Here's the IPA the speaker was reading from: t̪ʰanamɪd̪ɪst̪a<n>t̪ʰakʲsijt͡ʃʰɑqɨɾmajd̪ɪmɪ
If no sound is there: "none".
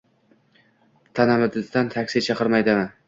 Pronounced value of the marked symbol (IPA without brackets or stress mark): n